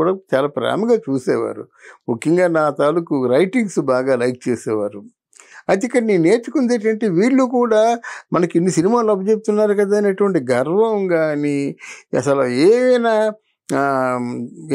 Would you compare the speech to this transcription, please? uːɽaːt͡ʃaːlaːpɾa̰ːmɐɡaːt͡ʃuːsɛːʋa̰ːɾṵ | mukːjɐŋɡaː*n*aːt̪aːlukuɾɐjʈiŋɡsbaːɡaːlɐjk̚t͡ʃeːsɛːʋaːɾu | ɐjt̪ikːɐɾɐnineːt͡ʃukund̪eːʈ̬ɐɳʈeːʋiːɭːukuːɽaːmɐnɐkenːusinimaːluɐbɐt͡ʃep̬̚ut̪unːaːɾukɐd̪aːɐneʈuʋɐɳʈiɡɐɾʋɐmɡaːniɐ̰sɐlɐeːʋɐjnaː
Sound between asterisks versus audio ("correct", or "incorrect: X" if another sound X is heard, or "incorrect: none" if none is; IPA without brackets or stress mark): correct